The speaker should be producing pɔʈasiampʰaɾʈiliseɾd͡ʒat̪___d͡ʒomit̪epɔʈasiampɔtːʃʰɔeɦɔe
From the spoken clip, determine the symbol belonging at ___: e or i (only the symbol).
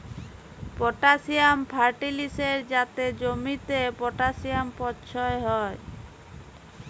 e